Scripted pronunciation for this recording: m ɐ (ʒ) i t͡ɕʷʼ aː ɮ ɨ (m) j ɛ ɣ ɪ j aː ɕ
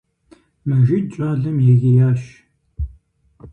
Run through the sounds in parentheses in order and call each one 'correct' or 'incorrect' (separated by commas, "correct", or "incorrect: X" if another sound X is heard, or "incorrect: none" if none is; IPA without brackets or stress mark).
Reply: correct, correct